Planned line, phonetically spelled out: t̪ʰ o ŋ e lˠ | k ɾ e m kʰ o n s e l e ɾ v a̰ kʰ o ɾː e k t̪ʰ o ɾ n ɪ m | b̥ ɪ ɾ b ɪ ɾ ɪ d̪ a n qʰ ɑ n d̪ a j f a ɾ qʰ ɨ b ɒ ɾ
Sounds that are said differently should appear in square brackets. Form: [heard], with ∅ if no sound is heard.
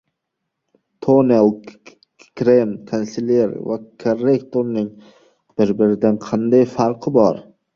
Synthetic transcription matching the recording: t̪ʰ o [n] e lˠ | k ɾ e m kʰ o n s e l e ɾ v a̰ kʰ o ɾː e k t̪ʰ o ɾ n ɪ [ŋ] | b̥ ɪ ɾ b ɪ ɾ ɪ d̪ a n qʰ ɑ n d̪ a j f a ɾ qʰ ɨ b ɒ ɾ